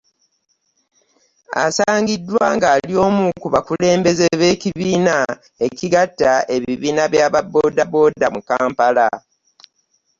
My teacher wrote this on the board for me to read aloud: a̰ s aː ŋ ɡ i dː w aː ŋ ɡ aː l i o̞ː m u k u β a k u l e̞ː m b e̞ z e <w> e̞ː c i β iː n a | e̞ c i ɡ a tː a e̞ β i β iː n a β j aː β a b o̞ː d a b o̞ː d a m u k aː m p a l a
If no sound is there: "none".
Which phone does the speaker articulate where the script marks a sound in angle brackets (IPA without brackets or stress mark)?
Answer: β